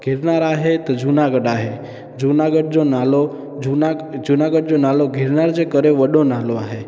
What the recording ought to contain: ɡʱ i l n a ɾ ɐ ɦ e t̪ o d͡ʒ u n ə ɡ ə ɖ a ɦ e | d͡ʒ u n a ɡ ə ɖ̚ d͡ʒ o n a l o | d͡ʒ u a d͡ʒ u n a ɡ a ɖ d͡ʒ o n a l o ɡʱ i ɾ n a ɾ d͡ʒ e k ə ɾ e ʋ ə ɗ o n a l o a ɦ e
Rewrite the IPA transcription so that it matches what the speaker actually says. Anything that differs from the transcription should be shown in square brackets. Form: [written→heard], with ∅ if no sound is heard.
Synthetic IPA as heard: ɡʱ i [l→ɾ] n a ɾ [ɐ→a] ɦ e t̪ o d͡ʒ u n [ə→a] ɡ ə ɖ a ɦ e | d͡ʒ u n a ɡ ə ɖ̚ d͡ʒ o n a l o | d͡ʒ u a d͡ʒ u n a ɡ [a→ə] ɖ d͡ʒ o n a l o ɡʱ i ɾ n a ɾ d͡ʒ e k ə ɾ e ʋ ə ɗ o n a l o a ɦ e

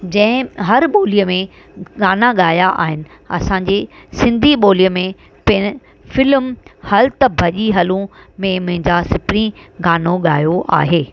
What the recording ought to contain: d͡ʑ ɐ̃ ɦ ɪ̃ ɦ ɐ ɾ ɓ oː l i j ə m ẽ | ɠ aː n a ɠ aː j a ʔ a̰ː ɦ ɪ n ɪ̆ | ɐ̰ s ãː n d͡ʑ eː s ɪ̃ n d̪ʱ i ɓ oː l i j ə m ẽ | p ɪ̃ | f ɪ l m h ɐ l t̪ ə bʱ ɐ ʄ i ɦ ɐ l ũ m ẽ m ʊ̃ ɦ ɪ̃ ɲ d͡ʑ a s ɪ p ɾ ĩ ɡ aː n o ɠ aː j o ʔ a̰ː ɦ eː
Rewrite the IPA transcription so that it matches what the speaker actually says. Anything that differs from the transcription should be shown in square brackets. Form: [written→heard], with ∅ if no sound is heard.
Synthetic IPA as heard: d͡ʑ ɐ̃ ɦ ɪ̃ ɦ ɐ ɾ ɓ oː l i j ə m ẽ | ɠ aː n a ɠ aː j a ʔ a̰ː ɦ ɪ n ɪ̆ | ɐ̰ s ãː [n→ɲ] d͡ʑ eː s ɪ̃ n d̪ʱ i ɓ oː l i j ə m ẽ | p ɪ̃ | f ɪ l m h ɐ l t̪ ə bʱ ɐ ʄ i ɦ ɐ l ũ m ẽ m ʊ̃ ɦ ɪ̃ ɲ d͡ʑ a s ɪ p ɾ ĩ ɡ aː n o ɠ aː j o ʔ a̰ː ɦ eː

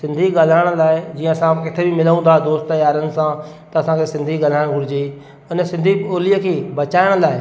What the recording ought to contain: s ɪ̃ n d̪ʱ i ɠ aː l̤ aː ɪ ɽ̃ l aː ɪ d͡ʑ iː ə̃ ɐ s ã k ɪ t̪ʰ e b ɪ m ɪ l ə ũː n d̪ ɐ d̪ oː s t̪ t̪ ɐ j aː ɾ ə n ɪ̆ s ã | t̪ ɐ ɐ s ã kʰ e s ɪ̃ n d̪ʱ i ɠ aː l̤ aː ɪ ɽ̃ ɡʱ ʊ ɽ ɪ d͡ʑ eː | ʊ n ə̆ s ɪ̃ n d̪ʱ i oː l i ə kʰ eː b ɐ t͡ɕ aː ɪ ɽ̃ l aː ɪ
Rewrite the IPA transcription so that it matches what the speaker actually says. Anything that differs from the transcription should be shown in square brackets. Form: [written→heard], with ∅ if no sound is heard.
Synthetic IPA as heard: s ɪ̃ n d̪ʱ i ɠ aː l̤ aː ɪ ɽ̃ l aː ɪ d͡ʑ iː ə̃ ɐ s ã k ɪ t̪ʰ e b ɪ m ɪ l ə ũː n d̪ [ɐ→a] d̪ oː s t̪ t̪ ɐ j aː ɾ ə n ɪ̆ s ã | t̪ ɐ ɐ s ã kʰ e s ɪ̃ n d̪ʱ i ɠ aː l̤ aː ɪ ɽ̃ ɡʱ ʊ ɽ ɪ d͡ʑ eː | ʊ n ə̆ s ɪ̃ n d̪ʱ i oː l i ə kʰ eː b ɐ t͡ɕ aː ɪ ɽ̃ l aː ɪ

